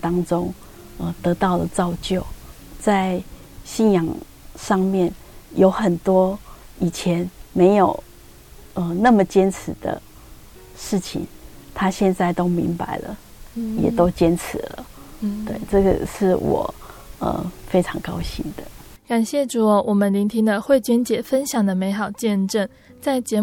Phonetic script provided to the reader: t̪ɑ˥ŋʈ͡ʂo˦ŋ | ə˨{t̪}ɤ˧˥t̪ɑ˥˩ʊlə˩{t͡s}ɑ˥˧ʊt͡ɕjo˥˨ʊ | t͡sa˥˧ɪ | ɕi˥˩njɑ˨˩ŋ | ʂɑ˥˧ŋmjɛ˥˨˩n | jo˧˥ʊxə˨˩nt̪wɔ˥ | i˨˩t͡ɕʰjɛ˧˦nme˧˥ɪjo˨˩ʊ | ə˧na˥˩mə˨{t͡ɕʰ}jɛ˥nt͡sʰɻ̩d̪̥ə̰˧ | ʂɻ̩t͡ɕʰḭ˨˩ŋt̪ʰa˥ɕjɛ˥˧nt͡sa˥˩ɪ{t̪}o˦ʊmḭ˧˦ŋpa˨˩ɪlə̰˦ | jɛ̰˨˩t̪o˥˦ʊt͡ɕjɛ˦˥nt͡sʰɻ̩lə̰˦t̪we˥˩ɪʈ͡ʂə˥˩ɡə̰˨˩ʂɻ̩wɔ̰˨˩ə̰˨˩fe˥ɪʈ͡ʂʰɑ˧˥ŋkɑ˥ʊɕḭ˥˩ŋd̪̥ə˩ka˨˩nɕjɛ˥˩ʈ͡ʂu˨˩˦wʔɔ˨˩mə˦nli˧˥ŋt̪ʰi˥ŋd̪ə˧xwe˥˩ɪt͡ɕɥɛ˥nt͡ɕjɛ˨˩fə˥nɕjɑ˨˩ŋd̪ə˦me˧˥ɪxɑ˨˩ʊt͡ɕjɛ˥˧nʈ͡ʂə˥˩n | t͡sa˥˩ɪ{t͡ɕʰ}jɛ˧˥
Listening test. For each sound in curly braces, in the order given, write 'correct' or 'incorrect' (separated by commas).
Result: correct, correct, incorrect, correct, incorrect